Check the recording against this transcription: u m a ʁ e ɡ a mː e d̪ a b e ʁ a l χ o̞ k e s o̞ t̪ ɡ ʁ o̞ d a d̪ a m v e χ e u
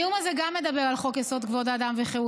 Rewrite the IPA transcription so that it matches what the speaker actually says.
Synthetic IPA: u m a z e ɡ a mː e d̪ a b e ʁ a l χ o̞ k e s o̞ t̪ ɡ v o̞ d a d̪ a m v e χ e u